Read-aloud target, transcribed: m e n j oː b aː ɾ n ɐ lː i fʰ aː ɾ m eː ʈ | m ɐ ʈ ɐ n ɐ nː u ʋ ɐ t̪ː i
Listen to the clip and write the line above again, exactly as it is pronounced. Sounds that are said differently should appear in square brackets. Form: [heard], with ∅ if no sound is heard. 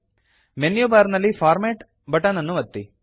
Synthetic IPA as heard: m e n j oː b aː ɾ n ɐ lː i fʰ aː ɾ m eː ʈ | [b] ɐ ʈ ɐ n ɐ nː u ʋ ɐ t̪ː i